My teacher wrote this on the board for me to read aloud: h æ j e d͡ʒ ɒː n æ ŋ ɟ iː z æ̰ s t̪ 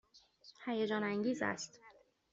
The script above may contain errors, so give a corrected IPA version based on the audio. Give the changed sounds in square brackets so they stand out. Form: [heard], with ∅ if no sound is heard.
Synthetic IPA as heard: h æ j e d͡ʒ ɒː n æ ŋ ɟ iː z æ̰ s t̪